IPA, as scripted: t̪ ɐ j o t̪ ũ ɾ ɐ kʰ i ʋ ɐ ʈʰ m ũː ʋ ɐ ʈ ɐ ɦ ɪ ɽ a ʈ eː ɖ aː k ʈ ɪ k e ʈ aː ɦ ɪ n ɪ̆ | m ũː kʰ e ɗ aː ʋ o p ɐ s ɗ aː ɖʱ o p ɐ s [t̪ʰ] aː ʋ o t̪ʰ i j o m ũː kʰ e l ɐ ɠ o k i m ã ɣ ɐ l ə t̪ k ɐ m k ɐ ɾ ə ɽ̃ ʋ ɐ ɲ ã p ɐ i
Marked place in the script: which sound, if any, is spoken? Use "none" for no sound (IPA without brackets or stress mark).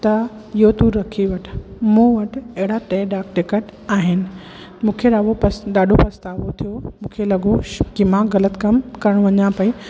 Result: t̪